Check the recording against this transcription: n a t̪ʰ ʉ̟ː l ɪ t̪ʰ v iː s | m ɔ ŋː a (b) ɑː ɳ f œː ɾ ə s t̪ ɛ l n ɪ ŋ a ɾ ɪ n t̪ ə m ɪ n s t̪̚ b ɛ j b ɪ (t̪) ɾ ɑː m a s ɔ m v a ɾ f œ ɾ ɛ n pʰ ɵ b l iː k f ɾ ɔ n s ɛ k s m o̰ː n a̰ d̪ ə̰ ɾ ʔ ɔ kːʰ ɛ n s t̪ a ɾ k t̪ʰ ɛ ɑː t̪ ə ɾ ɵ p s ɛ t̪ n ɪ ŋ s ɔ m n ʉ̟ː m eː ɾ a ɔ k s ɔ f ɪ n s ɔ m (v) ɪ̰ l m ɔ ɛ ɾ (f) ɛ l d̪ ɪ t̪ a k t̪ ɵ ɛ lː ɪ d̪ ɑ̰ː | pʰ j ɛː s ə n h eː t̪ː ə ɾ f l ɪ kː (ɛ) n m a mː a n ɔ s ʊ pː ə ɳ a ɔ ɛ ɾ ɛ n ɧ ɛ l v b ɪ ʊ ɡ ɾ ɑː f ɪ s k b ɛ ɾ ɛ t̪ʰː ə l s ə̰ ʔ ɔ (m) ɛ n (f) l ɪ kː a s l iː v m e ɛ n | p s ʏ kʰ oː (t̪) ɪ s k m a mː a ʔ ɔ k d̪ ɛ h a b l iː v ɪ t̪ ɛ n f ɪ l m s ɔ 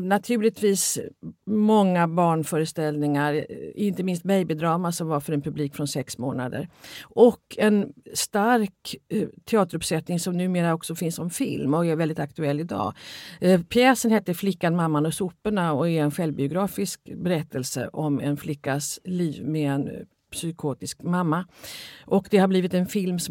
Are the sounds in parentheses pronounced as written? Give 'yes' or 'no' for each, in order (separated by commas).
yes, no, no, no, no, yes, yes, yes